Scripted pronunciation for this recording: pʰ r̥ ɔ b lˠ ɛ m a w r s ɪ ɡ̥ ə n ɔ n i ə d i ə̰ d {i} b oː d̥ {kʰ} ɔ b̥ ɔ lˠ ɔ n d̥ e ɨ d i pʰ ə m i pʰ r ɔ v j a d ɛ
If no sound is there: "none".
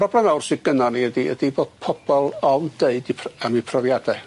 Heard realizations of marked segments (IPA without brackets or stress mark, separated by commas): i, pʰ